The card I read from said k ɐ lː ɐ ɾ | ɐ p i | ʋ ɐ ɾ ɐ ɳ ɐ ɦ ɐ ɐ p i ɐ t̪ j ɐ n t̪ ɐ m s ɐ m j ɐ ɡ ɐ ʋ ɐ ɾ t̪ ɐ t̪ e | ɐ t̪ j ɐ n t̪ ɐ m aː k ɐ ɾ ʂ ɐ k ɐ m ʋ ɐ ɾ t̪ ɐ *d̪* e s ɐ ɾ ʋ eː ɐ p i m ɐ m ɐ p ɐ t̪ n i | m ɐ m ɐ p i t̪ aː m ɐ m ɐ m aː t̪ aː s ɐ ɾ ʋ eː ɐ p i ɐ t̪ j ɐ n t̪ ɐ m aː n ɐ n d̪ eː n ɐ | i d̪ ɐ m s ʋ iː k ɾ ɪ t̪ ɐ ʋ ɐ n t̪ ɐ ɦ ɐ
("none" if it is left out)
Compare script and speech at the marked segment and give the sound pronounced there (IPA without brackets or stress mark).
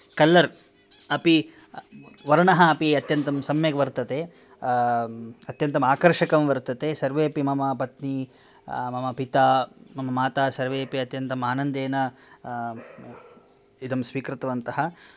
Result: t̪